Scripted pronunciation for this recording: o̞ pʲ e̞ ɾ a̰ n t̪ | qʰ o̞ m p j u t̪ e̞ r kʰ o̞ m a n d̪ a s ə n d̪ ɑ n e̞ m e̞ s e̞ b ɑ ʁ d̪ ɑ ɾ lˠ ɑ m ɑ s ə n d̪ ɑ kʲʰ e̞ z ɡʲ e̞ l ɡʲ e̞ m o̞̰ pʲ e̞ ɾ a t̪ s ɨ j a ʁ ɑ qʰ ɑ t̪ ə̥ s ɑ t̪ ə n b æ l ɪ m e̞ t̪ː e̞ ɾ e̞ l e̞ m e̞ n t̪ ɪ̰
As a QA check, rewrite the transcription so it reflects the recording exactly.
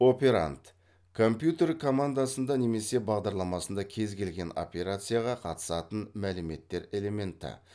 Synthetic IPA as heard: o̞ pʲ e̞ ɾ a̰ n t̪ | kʰ o̞ m p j u t̪ e̞ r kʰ o̞ m a n d̪ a s ə n d̪ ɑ n e̞ m e̞ s e̞ b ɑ ʁ d̪ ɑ ɾ lˠ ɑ m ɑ s ə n d̪ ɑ kʲʰ e̞ z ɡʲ e̞ l ɡʲ e̞ n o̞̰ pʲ e̞ ɾ a t̪ s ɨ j a ʁ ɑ qʰ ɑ t̪ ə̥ s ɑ t̪ ə n m æ l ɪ m e̞ t̪ː e̞ ɾ e̞ l e̞ m e̞ n t̪ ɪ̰